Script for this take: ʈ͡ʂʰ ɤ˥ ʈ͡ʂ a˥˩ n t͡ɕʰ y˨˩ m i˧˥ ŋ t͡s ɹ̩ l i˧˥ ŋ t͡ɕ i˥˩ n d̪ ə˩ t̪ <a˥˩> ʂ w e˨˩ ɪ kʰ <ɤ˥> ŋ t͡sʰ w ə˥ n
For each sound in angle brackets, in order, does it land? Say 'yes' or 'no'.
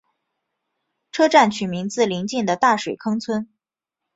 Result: yes, yes

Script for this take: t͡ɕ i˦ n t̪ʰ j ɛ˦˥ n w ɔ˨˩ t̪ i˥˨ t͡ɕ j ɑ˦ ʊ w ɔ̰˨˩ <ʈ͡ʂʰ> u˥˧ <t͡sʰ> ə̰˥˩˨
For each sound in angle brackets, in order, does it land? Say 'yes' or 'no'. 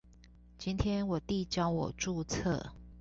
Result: no, yes

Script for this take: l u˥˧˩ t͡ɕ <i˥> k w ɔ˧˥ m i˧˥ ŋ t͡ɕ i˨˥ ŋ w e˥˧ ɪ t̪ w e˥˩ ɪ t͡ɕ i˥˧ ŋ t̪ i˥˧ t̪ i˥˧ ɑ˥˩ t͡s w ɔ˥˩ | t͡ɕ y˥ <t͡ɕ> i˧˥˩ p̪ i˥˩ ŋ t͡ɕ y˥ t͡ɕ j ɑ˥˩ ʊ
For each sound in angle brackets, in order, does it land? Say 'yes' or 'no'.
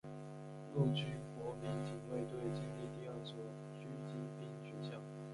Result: no, yes

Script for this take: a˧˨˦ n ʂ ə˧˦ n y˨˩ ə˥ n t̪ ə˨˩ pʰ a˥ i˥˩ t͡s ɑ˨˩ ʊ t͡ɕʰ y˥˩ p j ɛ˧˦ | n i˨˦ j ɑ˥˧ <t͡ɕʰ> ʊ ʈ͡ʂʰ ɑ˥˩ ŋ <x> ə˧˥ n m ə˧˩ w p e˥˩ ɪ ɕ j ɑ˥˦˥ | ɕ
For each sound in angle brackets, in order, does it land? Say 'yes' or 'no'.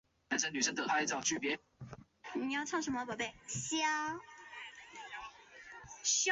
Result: no, no

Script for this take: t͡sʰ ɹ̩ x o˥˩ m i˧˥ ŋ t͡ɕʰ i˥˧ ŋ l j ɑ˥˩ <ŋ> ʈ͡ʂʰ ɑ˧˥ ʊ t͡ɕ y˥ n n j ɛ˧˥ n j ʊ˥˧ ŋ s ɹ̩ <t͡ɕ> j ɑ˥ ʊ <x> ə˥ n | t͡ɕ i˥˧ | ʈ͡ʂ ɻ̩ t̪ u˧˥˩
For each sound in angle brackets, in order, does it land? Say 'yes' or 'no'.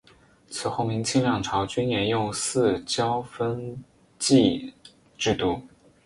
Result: yes, yes, no

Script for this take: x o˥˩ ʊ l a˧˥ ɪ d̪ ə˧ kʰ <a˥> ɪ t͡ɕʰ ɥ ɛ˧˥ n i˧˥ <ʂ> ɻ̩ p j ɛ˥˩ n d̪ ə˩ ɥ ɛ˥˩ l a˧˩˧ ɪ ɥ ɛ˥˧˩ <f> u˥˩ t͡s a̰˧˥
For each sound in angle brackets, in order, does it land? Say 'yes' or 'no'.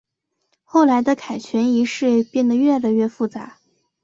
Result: no, yes, yes

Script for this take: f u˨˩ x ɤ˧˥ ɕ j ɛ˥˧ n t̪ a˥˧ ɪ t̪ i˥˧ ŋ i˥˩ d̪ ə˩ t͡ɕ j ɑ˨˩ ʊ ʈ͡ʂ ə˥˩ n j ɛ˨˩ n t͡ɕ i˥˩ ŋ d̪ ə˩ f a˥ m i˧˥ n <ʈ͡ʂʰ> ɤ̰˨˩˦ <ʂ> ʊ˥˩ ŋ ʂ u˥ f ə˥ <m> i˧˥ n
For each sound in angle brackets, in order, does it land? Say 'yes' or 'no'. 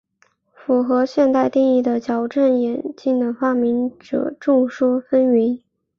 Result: no, no, no

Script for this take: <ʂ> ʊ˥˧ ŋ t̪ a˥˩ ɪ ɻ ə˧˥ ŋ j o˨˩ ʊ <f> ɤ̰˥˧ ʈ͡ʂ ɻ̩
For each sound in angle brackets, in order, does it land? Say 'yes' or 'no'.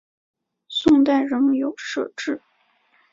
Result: no, no

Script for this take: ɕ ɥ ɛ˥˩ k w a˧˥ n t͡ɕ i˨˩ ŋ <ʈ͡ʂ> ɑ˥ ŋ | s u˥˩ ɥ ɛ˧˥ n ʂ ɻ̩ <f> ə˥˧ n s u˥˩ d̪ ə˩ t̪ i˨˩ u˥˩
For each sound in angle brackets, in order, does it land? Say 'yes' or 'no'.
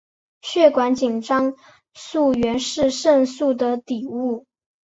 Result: yes, no

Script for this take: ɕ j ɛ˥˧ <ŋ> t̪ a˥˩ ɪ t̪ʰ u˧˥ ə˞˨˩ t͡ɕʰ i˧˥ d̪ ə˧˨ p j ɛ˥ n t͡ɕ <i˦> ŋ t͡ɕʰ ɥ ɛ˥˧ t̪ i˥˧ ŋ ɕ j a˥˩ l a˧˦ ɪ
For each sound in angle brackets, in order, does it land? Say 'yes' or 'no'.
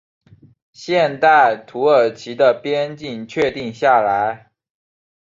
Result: no, no

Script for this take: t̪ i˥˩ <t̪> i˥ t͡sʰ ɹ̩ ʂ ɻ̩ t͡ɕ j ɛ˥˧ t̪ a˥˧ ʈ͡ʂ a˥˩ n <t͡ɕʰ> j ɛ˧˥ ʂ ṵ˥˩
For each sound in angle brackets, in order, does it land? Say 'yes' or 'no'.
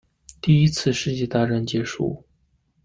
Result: no, no

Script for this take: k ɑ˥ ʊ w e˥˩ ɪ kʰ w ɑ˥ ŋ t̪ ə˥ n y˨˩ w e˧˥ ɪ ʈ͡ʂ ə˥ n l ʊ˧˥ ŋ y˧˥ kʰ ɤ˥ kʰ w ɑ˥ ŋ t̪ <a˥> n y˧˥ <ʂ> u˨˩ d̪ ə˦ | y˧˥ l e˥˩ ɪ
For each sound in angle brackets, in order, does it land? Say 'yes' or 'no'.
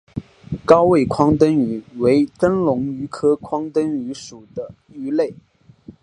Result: no, yes

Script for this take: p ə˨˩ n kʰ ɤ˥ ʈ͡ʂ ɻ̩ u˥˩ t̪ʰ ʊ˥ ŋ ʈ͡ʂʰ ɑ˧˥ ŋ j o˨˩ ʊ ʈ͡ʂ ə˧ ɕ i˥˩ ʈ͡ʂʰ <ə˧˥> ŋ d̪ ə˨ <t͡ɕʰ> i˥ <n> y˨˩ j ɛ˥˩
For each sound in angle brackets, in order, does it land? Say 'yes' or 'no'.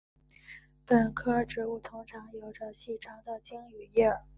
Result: no, no, no

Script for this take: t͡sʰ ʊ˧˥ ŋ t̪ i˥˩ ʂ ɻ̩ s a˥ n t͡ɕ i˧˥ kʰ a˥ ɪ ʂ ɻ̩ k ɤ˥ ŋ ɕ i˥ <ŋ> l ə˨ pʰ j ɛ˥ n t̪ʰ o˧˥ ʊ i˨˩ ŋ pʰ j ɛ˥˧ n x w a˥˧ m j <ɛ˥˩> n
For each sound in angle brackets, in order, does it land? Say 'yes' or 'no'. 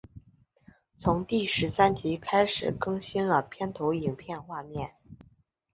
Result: no, yes

